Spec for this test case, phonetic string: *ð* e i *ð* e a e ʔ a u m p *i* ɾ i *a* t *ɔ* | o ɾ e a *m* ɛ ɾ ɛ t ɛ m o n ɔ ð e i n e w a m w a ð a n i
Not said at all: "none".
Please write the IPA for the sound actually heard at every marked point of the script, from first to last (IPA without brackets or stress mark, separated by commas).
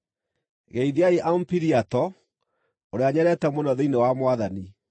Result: ɣ, ð, i, a, ɔ, ɲ